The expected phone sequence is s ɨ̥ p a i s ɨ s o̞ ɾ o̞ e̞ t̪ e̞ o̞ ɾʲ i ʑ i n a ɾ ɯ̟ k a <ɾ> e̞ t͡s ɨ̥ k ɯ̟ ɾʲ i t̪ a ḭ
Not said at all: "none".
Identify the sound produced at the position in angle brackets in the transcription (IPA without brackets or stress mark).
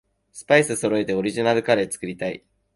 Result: ɾ